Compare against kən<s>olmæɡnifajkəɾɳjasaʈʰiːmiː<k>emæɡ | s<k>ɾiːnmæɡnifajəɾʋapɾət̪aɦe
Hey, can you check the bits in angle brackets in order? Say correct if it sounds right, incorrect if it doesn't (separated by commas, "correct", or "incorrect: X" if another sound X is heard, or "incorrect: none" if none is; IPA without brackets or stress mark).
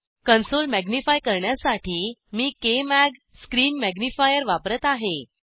correct, correct, correct